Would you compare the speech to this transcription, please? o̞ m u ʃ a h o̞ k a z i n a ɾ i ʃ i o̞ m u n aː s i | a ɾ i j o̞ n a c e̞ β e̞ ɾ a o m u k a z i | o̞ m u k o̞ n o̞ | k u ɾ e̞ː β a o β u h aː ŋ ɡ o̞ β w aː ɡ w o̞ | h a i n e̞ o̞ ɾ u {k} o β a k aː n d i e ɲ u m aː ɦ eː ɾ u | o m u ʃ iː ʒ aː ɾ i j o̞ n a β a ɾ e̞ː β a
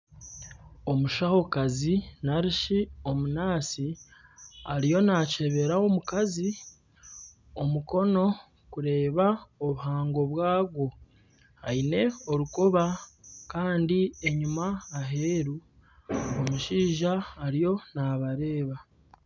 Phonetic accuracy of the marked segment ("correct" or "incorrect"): correct